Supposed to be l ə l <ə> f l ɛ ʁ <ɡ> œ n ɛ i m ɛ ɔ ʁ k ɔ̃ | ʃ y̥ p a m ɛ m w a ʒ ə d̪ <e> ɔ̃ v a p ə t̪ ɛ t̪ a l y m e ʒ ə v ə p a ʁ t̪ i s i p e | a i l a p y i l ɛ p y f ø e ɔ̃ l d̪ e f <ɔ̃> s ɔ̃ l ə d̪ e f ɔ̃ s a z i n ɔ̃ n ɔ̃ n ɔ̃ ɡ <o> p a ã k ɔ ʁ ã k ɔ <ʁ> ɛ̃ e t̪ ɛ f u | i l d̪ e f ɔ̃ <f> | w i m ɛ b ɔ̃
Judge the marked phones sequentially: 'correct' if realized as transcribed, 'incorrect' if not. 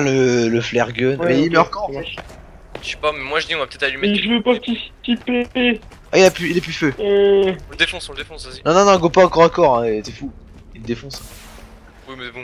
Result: correct, correct, incorrect, correct, correct, correct, incorrect

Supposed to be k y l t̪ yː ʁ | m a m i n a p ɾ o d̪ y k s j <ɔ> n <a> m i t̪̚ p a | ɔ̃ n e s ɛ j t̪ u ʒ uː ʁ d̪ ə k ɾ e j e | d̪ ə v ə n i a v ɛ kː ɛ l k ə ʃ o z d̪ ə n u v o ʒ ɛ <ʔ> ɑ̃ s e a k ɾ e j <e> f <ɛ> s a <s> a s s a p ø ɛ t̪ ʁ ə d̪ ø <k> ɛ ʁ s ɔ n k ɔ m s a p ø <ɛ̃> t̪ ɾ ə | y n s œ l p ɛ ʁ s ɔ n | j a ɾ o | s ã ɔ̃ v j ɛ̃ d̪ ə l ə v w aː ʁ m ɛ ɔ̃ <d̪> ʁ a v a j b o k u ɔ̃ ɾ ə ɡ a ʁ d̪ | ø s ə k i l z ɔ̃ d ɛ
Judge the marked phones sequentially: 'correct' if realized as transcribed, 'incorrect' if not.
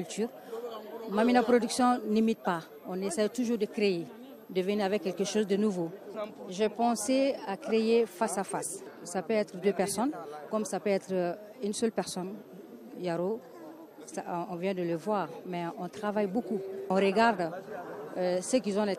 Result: incorrect, incorrect, incorrect, correct, incorrect, incorrect, incorrect, incorrect, incorrect

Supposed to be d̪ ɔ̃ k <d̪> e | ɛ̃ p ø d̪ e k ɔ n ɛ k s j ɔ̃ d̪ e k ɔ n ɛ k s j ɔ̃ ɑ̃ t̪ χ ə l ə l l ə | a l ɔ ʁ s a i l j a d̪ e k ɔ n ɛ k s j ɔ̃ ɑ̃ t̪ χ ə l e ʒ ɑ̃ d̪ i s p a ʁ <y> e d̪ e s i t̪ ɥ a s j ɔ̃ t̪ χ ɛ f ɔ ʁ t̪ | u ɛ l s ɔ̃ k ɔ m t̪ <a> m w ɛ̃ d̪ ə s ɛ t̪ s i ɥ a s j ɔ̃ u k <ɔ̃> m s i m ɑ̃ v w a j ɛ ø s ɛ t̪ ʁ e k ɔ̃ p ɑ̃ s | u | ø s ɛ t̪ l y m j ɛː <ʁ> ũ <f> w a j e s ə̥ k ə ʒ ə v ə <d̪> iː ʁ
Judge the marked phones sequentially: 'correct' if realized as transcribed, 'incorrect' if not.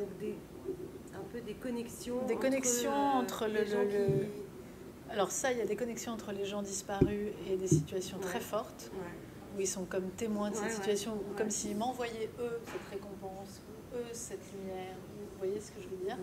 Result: correct, correct, incorrect, incorrect, correct, incorrect, correct

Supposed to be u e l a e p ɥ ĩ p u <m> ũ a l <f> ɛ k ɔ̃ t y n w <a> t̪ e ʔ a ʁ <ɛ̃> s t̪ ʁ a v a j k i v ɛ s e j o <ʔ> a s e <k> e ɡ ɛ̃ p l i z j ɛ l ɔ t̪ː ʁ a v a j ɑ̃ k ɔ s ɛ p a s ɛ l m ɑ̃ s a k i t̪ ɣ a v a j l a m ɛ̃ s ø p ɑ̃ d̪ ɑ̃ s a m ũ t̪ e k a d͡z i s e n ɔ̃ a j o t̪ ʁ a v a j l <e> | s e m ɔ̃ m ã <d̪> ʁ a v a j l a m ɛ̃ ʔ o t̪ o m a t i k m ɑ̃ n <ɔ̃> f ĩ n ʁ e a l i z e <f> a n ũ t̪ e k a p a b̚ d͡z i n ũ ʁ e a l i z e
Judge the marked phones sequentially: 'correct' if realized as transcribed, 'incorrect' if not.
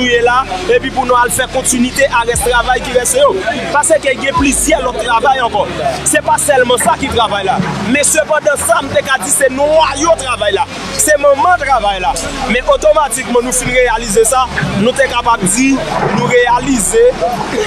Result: incorrect, correct, incorrect, incorrect, incorrect, correct, incorrect, incorrect, incorrect, incorrect

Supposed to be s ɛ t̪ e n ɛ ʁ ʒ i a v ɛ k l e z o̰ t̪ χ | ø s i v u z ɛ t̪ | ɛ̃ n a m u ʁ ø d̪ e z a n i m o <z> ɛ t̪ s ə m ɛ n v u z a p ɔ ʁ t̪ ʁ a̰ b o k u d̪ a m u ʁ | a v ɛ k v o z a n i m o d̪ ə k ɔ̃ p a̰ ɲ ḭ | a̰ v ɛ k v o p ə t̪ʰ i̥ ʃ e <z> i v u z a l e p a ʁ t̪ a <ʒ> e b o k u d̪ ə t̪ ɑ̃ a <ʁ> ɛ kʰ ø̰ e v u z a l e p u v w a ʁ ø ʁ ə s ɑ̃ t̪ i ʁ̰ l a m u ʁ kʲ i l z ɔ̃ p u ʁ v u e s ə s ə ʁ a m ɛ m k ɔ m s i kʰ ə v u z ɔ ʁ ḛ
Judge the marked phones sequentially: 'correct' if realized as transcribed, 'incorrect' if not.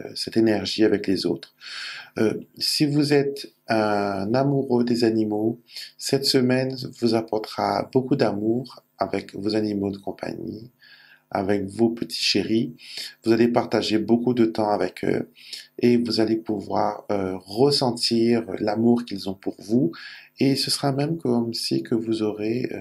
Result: incorrect, incorrect, correct, incorrect

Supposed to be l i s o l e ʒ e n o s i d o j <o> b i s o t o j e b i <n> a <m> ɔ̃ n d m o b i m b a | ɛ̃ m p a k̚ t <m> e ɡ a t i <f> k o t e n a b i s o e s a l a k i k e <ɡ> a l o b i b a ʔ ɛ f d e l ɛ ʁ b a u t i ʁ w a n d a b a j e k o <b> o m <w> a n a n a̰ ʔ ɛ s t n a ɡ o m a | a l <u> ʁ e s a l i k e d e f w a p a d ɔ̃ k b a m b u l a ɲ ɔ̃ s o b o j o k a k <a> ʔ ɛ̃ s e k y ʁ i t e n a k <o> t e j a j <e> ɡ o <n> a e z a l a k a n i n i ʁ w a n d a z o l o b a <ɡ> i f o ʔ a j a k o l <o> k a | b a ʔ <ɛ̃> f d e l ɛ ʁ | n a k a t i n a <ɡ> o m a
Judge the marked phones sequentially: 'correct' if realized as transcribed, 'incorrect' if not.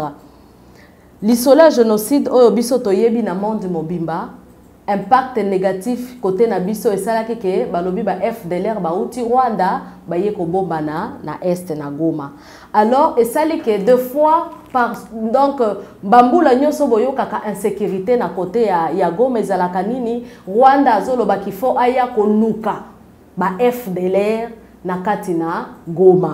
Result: correct, correct, correct, incorrect, correct, incorrect, correct, incorrect, incorrect, correct, correct, incorrect, incorrect, incorrect, incorrect, incorrect, correct

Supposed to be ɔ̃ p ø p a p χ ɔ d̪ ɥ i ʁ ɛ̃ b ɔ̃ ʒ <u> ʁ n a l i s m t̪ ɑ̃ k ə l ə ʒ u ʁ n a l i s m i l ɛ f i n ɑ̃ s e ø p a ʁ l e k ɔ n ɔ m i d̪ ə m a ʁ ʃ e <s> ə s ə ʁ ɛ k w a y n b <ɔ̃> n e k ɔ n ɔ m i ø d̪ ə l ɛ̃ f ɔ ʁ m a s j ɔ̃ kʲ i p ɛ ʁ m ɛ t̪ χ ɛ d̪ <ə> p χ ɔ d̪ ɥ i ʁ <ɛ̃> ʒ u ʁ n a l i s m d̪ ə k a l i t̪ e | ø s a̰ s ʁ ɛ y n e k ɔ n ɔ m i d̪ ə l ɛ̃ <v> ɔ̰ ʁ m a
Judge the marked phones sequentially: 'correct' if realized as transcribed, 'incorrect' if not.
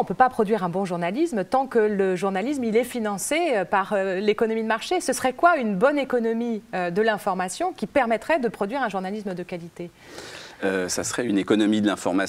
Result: correct, correct, incorrect, correct, correct, incorrect

